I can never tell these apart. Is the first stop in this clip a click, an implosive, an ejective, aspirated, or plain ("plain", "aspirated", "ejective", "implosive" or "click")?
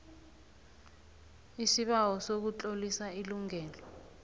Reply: implosive